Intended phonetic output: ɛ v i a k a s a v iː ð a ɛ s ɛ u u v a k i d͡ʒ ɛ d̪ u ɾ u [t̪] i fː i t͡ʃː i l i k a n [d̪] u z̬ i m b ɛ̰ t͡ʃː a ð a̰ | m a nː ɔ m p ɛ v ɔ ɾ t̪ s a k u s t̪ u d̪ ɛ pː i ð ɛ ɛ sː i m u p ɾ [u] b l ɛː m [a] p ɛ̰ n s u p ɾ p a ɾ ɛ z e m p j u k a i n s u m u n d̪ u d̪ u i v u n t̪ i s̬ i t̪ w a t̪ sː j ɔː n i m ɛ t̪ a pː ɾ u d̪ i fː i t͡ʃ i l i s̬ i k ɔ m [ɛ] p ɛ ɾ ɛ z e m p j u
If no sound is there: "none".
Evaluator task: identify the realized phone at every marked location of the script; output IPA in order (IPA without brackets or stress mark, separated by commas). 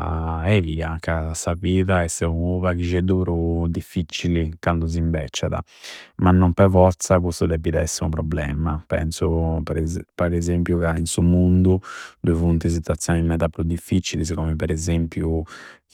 d̪, d̪, ɔ, a, ɛ